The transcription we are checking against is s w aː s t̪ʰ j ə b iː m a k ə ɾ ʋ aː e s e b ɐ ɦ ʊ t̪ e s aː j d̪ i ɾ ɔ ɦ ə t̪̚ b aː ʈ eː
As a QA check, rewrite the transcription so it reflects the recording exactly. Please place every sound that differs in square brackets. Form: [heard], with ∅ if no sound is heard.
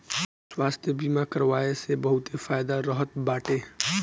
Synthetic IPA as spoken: s w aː s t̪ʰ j ə b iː m a k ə ɾ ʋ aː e s e b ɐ ɦ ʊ t̪ e [f] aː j d̪ [a] ɾ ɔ ɦ ə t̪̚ b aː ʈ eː